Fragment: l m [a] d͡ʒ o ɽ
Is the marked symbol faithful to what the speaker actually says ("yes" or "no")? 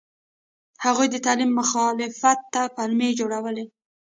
no